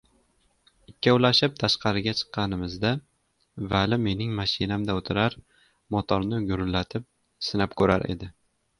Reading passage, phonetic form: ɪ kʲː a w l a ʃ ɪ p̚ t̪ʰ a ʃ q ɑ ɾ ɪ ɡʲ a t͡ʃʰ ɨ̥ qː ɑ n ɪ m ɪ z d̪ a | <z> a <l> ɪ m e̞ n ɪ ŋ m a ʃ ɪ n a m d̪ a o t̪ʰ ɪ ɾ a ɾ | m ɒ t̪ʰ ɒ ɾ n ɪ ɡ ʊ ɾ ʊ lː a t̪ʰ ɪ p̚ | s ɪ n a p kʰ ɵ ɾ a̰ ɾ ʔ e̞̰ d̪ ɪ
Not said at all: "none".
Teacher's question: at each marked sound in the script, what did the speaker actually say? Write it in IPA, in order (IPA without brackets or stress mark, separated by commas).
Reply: v, l